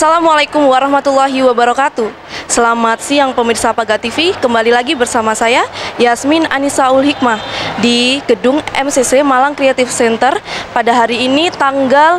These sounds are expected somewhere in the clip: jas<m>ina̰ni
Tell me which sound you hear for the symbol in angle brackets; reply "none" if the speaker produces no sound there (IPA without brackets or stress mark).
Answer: m